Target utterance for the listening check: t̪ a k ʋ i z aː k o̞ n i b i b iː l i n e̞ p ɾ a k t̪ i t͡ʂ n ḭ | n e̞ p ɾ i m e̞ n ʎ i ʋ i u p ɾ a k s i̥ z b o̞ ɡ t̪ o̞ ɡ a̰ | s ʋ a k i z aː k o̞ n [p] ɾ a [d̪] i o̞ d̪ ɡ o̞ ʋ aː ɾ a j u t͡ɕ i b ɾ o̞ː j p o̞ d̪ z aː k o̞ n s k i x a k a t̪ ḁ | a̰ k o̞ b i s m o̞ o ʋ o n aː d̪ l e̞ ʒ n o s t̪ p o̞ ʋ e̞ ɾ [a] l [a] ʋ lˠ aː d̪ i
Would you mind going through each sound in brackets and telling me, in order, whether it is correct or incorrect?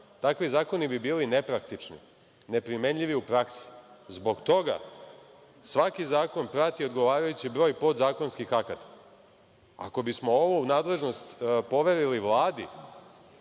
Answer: correct, incorrect: t̪, incorrect: i, incorrect: i

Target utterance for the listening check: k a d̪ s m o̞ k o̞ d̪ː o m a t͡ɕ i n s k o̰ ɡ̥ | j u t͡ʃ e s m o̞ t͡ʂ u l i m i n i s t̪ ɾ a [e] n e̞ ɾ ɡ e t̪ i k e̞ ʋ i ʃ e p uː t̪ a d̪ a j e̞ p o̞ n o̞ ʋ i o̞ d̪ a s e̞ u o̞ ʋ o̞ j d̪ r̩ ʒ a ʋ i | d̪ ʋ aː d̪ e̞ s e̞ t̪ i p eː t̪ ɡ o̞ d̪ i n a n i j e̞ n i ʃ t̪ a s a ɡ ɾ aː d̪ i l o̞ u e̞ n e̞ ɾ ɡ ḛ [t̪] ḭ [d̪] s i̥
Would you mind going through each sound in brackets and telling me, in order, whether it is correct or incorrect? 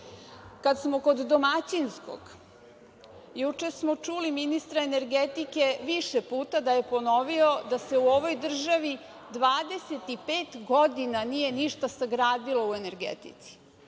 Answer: correct, correct, incorrect: t̪

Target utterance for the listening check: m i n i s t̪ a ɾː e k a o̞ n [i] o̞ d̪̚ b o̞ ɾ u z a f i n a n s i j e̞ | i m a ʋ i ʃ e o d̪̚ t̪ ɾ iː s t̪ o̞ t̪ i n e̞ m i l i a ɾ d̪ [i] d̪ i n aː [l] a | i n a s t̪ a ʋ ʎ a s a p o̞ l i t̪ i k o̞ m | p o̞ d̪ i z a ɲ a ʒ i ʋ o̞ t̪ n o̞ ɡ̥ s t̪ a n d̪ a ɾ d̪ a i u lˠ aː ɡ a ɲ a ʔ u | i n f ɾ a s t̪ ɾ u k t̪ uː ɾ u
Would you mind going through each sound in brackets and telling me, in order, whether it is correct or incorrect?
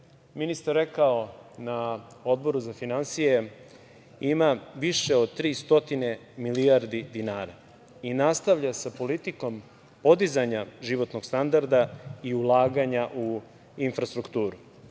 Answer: incorrect: a, correct, incorrect: ɾ

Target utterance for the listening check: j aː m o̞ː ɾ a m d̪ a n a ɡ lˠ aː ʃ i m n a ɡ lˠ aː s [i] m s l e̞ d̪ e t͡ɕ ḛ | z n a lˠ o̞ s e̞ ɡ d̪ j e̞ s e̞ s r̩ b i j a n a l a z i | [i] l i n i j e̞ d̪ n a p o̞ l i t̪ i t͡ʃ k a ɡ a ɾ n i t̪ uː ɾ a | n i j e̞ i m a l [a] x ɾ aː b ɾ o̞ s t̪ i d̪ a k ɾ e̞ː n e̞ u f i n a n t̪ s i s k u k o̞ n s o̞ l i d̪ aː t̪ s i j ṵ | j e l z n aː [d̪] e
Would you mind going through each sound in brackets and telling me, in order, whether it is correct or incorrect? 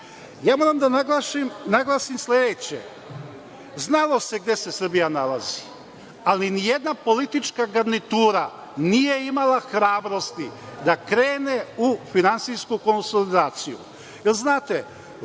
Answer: correct, incorrect: a, correct, incorrect: t̪

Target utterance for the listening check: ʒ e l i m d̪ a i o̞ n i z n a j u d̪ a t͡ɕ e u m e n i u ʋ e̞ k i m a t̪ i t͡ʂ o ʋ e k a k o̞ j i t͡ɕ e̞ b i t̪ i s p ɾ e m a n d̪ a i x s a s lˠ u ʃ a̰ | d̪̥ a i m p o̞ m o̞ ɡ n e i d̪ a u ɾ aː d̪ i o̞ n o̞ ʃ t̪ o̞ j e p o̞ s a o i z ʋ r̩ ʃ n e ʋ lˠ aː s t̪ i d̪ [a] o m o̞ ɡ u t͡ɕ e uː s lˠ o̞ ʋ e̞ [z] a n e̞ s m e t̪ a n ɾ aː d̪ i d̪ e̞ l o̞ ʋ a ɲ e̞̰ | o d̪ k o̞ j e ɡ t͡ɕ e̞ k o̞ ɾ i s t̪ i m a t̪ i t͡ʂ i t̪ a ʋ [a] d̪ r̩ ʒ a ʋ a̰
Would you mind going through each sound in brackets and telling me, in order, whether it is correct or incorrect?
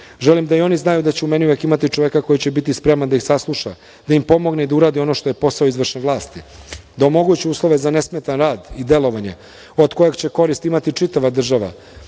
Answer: correct, correct, correct

